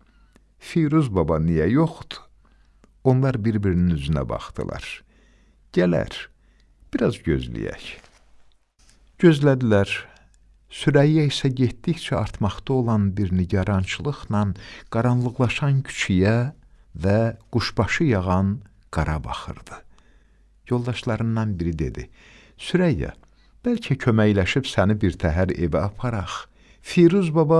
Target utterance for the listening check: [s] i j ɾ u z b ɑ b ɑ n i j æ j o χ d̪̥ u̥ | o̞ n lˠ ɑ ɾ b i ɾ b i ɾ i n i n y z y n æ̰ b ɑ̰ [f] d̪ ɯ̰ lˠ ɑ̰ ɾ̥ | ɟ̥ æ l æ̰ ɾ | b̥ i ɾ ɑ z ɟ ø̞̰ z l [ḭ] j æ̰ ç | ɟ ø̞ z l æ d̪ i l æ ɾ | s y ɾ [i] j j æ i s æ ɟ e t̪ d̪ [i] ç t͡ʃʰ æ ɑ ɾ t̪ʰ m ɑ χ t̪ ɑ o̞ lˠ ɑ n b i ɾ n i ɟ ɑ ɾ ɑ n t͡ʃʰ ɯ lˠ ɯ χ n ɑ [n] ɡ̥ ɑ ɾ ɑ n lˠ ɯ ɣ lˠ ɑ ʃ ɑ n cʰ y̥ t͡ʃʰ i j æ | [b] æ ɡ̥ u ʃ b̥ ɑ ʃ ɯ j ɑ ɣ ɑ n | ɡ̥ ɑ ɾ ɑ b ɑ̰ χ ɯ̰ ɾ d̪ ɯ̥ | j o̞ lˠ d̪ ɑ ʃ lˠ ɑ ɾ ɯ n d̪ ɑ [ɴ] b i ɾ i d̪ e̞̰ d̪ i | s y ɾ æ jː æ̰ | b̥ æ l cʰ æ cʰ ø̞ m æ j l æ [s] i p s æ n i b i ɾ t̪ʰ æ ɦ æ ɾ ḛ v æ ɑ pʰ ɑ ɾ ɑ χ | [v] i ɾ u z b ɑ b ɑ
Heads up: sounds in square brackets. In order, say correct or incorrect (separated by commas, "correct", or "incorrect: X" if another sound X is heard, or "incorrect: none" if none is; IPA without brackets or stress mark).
incorrect: f, incorrect: χ, correct, incorrect: æ, correct, correct, incorrect: v, incorrect: n, incorrect: ʃ, incorrect: f